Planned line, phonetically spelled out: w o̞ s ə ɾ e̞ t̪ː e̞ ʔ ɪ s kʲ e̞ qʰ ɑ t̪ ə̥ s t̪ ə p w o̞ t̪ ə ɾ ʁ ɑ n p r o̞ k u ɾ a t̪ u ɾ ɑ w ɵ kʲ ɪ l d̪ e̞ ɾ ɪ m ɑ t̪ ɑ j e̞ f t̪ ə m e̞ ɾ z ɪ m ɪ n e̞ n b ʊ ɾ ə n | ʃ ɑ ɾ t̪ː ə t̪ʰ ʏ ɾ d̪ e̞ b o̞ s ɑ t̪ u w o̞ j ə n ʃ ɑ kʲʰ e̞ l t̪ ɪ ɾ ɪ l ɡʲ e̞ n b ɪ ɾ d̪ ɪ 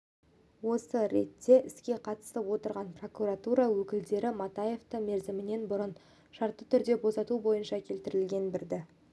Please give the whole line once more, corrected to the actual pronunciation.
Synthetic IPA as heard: w o̞ s ə ɾ e̞ t̪ː e̞ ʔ ɪ s kʲ e̞ qʰ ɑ t̪ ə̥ s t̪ ə p w o̞ t̪ ə ɾ ʁ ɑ n p r o̞ k u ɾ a t̪ u ɾ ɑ w ɵ kʲ ɪ l d̪ e̞ ɾ ɪ m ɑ t̪ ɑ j e̞ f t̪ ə m e̞ ɾ z ɪ m ɪ n e̞ n b ʊ ɾ ə n | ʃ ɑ ɾ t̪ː ə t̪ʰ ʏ ɾ d̪ e̞ b o̞ s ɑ t̪ u b o̞ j ə n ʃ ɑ kʲʰ e̞ l t̪ ɪ ɾ ɪ l ɡʲ e̞ n b ɪ ɾ d̪ ɪ